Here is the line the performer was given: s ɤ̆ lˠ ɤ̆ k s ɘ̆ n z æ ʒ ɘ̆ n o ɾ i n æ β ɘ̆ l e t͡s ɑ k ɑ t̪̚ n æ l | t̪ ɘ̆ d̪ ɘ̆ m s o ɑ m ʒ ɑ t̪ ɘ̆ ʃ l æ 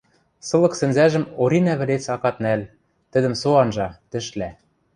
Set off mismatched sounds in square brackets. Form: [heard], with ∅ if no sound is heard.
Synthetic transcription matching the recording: s ɤ̆ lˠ ɤ̆ k s ɘ̆ n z æ ʒ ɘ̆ [m] o ɾ i n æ β ɘ̆ l e t͡s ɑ k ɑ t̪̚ n æ l | t̪ ɘ̆ d̪ ɘ̆ m s o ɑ [n] ʒ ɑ t̪ ɘ̆ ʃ l æ